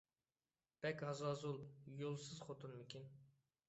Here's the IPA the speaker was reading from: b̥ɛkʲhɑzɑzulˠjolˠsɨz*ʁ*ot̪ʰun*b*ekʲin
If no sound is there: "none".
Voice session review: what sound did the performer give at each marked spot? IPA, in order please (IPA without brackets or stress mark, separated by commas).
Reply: χ, m